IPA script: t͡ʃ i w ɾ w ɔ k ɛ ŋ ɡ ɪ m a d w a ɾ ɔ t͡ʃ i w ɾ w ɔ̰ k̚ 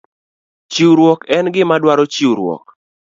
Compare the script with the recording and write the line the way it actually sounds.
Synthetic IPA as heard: t͡ʃ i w ɾ w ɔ k ɛ n ɡ ɪ m a d w a ɾ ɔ t͡ʃ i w ɾ w ɔ̰ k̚